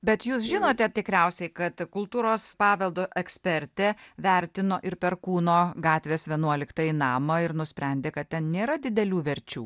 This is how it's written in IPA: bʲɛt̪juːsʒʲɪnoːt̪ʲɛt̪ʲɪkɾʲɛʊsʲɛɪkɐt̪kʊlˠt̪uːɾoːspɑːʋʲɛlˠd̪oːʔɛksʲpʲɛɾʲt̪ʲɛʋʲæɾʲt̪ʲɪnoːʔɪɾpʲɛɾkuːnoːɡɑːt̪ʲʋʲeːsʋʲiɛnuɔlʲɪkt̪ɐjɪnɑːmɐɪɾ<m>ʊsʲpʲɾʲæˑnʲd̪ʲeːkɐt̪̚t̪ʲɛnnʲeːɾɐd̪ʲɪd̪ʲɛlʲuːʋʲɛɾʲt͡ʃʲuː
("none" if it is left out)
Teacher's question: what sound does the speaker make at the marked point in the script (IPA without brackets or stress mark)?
n